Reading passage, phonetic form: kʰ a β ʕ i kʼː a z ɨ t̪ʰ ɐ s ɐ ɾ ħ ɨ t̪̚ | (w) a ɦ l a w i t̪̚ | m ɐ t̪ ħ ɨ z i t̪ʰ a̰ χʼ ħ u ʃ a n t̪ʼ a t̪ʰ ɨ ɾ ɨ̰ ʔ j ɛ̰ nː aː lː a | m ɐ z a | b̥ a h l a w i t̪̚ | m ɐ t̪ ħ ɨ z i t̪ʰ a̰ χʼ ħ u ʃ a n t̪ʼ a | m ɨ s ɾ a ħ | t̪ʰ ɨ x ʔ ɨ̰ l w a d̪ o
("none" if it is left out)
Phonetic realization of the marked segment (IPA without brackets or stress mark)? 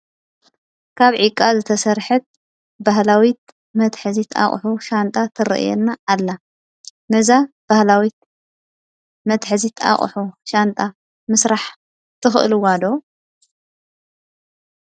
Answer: b